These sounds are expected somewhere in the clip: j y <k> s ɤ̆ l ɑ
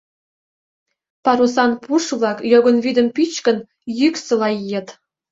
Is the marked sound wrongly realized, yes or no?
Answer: no